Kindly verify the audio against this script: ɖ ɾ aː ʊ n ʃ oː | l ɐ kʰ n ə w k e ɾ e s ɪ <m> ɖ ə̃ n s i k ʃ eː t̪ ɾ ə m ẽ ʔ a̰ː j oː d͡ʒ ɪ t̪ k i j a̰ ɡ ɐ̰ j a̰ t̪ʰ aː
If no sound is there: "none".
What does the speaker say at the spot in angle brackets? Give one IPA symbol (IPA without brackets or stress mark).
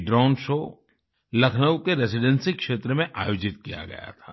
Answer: none